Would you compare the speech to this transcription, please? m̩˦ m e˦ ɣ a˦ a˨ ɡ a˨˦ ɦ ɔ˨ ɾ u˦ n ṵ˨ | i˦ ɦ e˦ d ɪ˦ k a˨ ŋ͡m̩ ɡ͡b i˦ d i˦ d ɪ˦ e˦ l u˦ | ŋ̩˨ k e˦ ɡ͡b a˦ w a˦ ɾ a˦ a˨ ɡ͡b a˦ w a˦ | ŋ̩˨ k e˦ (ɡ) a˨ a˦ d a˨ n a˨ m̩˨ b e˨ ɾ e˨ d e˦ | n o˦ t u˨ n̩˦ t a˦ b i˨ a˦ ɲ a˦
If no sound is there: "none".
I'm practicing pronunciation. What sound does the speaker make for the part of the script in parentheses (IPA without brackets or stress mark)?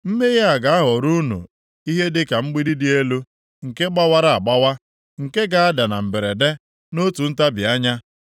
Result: ɡ